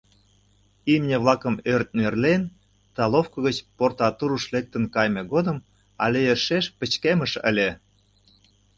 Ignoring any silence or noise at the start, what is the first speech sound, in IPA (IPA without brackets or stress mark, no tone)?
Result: i